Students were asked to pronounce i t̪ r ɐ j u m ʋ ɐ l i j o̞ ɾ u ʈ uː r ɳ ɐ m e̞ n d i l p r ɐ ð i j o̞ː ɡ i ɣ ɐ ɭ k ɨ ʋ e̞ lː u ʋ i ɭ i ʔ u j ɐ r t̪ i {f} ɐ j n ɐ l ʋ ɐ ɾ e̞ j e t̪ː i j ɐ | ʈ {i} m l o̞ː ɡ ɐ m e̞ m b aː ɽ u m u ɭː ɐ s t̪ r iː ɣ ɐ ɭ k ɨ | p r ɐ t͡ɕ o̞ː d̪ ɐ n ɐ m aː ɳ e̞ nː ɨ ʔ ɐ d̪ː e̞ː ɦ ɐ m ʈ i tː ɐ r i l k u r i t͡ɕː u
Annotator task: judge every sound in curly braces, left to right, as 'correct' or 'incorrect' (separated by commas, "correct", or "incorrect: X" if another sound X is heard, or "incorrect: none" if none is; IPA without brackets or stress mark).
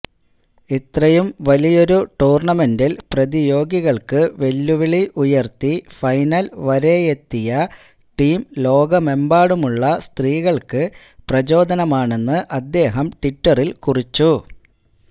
correct, incorrect: iː